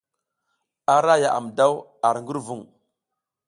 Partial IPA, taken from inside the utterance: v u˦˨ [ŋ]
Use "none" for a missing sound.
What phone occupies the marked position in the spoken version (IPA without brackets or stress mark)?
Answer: ŋ